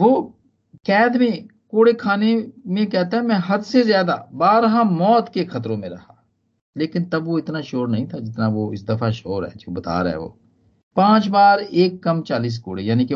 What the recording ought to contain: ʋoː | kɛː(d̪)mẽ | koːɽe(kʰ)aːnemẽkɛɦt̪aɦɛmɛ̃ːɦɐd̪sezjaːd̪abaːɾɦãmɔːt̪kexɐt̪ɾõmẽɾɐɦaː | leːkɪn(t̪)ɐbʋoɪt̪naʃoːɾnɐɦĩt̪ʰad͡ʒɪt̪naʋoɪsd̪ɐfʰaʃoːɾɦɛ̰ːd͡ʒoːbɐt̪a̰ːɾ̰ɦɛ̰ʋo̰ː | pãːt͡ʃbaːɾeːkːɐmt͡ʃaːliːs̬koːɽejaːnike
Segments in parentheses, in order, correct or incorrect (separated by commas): correct, correct, correct